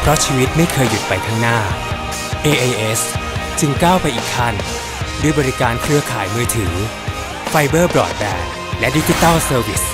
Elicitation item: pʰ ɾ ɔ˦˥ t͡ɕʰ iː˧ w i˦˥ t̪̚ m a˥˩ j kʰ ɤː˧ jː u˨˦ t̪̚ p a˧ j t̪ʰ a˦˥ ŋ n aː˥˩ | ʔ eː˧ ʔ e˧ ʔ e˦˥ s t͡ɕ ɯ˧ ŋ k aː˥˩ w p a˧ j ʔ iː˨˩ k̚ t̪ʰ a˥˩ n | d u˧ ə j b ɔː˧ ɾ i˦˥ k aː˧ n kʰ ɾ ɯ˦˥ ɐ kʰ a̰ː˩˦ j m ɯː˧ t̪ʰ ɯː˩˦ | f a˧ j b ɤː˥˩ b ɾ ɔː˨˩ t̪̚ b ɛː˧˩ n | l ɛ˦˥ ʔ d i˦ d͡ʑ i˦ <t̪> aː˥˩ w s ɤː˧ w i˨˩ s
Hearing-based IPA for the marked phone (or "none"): t̪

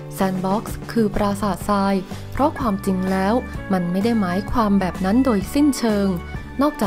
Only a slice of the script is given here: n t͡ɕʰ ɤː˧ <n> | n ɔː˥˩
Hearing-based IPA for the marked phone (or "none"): ŋ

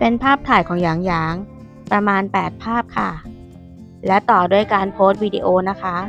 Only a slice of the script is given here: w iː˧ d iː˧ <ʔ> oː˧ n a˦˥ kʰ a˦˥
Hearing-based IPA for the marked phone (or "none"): ʔ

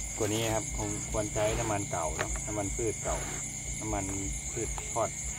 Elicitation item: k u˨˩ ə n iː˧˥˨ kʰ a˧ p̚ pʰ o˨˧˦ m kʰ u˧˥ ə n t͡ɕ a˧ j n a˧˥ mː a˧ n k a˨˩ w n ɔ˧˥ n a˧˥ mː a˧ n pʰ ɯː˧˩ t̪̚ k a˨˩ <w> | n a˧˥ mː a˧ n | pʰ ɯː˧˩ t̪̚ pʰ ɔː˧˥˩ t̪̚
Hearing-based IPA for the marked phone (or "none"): w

